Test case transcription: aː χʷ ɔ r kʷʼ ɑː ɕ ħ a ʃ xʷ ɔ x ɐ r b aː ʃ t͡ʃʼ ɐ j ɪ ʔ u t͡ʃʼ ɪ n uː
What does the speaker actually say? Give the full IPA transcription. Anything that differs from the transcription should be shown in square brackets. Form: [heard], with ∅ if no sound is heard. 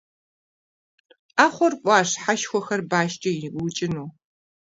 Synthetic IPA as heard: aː χʷ ɔ r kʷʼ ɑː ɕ ħ a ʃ xʷ ɔ x ɐ r b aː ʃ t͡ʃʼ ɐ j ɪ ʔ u t͡ʃʼ ɪ n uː